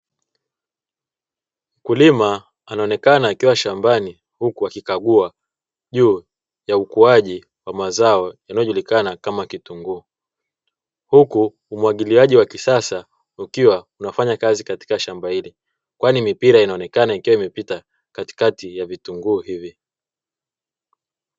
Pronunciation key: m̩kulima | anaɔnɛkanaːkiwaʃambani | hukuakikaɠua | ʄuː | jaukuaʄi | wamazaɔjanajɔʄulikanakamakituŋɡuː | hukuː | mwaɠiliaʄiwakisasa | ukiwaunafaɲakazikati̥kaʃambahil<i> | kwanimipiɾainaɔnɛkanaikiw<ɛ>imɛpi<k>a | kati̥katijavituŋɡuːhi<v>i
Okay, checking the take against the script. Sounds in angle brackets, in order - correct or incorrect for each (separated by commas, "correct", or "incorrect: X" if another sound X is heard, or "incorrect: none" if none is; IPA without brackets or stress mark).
correct, incorrect: a, incorrect: t, correct